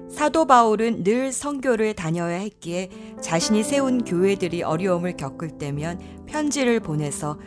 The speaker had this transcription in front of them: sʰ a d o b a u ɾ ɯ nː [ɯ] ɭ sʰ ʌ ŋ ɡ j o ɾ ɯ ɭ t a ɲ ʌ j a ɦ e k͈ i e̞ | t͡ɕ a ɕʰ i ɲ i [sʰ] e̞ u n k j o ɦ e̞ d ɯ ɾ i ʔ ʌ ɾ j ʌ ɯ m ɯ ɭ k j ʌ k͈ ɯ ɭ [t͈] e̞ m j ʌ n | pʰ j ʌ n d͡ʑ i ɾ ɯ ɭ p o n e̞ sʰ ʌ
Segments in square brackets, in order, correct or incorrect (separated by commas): correct, correct, correct